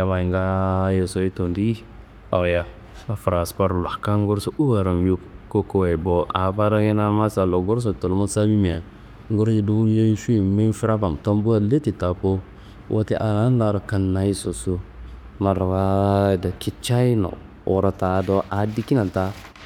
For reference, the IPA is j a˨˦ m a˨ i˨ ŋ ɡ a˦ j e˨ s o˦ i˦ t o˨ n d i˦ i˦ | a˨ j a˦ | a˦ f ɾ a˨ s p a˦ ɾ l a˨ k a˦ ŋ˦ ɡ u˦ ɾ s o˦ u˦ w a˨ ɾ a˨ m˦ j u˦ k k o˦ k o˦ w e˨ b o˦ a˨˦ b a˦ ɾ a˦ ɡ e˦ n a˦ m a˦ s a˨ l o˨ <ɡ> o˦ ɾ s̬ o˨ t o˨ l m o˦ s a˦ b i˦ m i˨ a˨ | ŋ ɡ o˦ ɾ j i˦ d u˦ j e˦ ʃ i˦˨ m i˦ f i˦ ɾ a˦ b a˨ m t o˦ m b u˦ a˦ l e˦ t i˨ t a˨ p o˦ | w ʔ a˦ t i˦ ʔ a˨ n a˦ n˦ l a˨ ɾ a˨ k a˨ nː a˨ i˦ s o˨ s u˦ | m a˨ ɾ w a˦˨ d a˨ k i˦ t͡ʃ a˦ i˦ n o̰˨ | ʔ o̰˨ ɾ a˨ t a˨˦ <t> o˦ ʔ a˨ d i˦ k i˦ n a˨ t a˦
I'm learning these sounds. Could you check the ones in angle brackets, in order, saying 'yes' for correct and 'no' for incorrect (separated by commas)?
yes, no